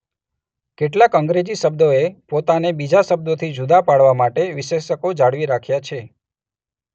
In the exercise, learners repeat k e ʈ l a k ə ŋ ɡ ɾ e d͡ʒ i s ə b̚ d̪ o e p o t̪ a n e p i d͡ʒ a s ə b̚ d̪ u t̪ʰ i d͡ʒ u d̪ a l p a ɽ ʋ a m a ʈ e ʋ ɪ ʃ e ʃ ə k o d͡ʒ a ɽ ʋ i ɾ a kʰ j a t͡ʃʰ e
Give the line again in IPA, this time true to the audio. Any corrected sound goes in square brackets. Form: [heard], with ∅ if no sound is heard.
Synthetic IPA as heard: k e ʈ l a k ə ŋ ɡ ɾ e d͡ʒ i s ə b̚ d̪ o e p o t̪ a n e [b] i d͡ʒ a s ə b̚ d̪ [o] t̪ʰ i d͡ʒ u d̪ a [∅] p a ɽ ʋ a m a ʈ e ʋ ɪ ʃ e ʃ ə k o d͡ʒ a ɽ ʋ i ɾ a kʰ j a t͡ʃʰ e

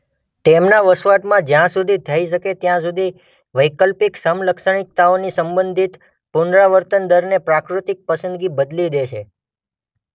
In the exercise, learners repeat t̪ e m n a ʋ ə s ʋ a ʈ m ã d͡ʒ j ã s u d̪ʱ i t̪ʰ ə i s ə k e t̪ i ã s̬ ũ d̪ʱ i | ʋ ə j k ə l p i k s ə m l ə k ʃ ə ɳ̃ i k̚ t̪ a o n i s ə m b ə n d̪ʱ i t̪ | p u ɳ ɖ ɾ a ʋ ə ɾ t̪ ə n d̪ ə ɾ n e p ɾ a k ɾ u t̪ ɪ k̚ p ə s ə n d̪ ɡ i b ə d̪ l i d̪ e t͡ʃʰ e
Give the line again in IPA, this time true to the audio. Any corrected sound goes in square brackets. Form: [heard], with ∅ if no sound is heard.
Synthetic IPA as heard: t̪ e m n a ʋ ə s ʋ a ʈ m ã d͡ʒ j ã s u d̪ʱ i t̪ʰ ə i [ʃ] ə k e t̪ [j] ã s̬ [u] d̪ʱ i | ʋ ə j k ə l p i k s ə m l ə k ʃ ə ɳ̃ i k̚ t̪ a o n i s ə m b ə n d̪ʱ i t̪ | p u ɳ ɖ ɾ a ʋ ə ɾ t̪ ə n d̪ ə ɾ n e p ɾ a k ɾ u t̪ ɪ k̚ p ə s ə n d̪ ɡ i b ə d̪ l i d̪ e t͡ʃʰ e

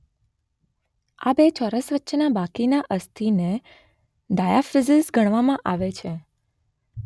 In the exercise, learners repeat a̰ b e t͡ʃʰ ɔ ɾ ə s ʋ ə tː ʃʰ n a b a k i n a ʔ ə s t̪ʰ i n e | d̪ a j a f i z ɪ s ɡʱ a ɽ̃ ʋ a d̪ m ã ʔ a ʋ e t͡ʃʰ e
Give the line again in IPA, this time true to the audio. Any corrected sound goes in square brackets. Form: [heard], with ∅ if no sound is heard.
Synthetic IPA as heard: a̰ b e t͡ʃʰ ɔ ɾ ə s ʋ ə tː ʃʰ n a b a k i n a ʔ ə s t̪ʰ i n e | d̪ a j a f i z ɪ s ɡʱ [ə] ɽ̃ ʋ a [∅] m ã ʔ a ʋ e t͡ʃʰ e

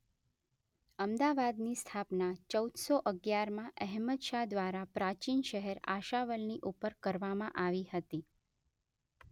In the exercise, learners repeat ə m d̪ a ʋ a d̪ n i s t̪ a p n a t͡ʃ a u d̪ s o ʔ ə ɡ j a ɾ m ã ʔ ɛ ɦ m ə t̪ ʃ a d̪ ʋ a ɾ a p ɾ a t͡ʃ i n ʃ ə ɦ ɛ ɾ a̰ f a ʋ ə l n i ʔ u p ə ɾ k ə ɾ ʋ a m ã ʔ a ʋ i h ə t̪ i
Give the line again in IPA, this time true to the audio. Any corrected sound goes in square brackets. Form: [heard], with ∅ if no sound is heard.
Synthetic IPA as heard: ə m d̪ a ʋ a d̪ n i s [t̪ʰ] a p n a t͡ʃ [ə] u d̪ s o ʔ ə ɡ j a ɾ m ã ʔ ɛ ɦ m ə t̪ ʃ a d̪ ʋ a ɾ a p ɾ a t͡ʃ i n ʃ ə ɦ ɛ ɾ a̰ [ʃ] a ʋ ə l n i ʔ u p ə ɾ k ə ɾ ʋ a m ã ʔ a ʋ i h ə t̪ i

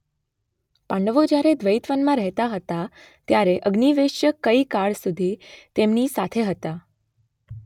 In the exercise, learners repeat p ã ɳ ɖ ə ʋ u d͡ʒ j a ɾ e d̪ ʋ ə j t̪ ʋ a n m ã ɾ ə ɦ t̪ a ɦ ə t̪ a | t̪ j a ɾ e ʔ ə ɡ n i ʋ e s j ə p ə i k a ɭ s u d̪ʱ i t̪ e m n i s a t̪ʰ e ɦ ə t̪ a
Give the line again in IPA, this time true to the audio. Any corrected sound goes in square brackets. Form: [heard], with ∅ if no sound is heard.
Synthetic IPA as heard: p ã ɳ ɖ ə ʋ [o] d͡ʒ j a ɾ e d̪ ʋ ə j t̪ ʋ [ə] n m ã ɾ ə ɦ t̪ a ɦ ə t̪ a | t̪ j a ɾ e ʔ ə ɡ n i ʋ e [ʃ] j ə [k] ə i k a ɭ s u d̪ʱ i t̪ e m n i s a t̪ʰ e ɦ ə t̪ a

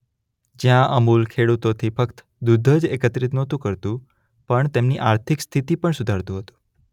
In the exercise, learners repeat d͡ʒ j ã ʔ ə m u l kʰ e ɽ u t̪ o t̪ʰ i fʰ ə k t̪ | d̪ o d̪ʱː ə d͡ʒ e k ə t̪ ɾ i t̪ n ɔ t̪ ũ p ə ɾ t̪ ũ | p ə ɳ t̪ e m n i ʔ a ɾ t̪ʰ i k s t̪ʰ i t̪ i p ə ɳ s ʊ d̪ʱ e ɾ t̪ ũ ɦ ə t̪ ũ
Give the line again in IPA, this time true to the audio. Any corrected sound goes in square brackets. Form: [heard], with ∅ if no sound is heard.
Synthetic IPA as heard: d͡ʒ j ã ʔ ə m u l kʰ e ɽ u t̪ o t̪ʰ i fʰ ə k t̪ | d̪ [u] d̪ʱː ə d͡ʒ e k ə t̪ ɾ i t̪ n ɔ t̪ ũ [k] ə ɾ t̪ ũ | p ə ɳ t̪ e m n i ʔ a ɾ t̪ʰ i k s t̪ʰ i t̪ i p ə ɳ s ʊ d̪ʱ [a] ɾ t̪ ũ ɦ ə t̪ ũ

